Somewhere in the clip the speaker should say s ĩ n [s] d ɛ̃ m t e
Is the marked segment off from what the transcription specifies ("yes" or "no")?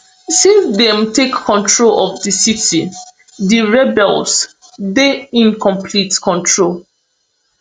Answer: no